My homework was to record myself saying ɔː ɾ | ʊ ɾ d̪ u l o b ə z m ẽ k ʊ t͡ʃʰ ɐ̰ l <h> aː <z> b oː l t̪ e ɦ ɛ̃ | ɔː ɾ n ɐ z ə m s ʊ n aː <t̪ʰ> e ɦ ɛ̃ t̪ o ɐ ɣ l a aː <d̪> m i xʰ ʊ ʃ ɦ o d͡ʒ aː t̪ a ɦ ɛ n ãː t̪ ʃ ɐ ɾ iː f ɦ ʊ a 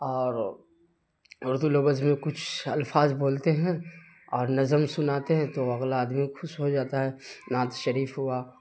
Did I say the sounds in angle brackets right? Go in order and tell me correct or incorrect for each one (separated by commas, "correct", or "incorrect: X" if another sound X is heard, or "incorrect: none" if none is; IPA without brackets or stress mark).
incorrect: f, correct, incorrect: t̪, correct